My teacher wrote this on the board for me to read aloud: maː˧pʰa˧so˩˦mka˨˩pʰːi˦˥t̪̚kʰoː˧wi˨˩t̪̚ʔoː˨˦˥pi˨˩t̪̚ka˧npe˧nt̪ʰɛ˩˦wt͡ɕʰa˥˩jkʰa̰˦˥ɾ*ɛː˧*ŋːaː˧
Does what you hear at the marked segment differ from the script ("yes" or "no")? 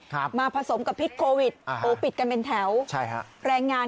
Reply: no